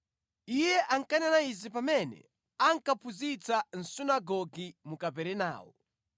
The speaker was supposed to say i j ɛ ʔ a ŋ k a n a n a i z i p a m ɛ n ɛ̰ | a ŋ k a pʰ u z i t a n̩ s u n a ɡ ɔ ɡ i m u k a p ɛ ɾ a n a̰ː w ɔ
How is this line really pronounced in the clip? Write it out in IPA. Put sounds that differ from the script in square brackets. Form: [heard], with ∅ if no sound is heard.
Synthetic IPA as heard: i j ɛ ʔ a ŋ k a n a n a i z i p a m ɛ n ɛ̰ | a ŋ k a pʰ u z i [t͡s] a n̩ s u n a ɡ ɔ ɡ i m u k a p ɛ ɾ [ɛ] n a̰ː w ɔ